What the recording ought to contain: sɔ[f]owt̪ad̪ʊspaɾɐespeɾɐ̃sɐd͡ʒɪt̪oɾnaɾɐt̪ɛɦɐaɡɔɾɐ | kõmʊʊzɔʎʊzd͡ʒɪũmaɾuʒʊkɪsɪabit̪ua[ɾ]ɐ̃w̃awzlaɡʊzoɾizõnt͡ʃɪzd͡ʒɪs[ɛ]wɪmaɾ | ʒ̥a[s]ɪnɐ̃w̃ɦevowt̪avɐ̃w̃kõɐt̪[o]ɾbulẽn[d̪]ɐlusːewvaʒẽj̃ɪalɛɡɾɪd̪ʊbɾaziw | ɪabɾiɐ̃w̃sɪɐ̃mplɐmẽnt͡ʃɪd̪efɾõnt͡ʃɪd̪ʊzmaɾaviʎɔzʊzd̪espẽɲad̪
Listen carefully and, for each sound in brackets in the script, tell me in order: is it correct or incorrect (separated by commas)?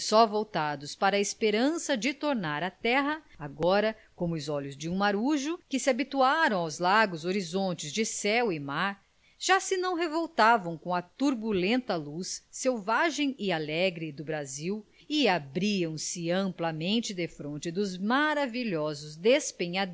incorrect, correct, correct, correct, incorrect, incorrect